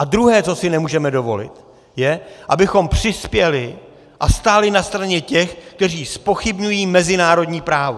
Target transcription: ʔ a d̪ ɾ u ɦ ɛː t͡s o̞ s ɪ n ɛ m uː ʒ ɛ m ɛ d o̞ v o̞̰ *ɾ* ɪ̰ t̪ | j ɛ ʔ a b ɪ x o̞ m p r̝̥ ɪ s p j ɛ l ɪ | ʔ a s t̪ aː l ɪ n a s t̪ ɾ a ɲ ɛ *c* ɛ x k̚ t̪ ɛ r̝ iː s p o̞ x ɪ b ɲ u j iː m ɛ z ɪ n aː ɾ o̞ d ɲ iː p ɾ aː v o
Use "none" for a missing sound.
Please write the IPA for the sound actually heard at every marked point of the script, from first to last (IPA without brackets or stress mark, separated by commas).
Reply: l, c